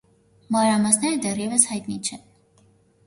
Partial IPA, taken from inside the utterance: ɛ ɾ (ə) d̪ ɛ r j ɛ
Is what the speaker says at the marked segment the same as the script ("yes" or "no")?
yes